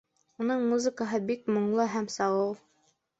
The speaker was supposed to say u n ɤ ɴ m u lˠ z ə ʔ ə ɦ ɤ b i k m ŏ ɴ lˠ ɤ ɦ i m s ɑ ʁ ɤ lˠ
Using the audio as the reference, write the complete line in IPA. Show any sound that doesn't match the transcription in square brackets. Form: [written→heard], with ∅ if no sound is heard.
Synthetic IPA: u n ɤ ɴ m u [lˠ→∅] z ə [ʔ→k] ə ɦ ɤ b i k m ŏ ɴ lˠ ɤ ɦ [i→æ] m s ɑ ʁ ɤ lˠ